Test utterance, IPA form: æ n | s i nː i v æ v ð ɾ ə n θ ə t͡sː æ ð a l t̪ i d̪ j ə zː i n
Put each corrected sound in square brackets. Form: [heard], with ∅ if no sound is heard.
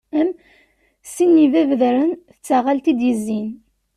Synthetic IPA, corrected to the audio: æ [m] | s i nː i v æ v ð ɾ ə n θ ə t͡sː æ [ʁ] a l t̪ i d̪ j ə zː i n